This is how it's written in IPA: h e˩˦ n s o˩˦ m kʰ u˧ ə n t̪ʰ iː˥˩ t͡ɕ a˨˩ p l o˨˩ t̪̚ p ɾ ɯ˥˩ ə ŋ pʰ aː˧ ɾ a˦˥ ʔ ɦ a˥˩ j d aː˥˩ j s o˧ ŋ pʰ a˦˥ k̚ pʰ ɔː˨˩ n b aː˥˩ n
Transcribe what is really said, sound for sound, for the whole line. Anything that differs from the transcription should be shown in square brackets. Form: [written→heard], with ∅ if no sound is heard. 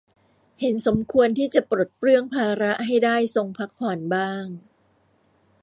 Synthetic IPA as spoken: h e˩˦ n s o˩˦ m kʰ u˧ ə n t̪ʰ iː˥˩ t͡ɕ a˨˩ p [l→ɾ] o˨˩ t̪̚ p ɾ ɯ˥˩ ə ŋ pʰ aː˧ ɾ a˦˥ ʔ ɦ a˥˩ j d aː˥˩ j s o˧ ŋ pʰ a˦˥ k̚ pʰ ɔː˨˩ n b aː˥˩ [n→ŋ]